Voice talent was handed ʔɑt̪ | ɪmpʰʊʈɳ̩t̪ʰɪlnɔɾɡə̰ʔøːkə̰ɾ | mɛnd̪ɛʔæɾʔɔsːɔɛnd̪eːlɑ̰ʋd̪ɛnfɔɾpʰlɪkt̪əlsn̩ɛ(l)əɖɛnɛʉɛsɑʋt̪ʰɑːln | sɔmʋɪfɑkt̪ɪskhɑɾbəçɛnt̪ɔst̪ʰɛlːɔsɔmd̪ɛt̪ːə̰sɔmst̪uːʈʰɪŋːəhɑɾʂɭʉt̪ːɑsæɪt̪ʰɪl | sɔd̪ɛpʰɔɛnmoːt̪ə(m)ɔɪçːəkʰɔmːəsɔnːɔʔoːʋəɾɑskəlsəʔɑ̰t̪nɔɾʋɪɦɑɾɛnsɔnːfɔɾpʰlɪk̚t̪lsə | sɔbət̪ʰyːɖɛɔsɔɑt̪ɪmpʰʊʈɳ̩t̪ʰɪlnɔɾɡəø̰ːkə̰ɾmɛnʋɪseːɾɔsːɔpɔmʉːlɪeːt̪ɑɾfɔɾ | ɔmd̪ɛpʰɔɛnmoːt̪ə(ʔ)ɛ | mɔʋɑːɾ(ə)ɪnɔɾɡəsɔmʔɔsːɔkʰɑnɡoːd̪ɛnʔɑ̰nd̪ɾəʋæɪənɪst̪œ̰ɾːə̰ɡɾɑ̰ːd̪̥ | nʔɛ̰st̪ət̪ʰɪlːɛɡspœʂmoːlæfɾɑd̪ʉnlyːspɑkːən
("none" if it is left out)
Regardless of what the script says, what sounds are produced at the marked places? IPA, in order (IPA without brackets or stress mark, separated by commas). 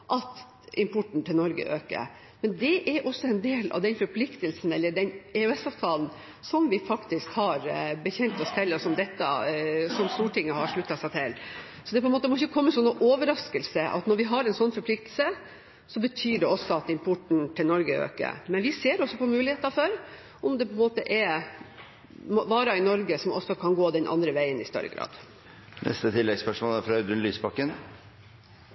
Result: lː, m, ʔ, ɑ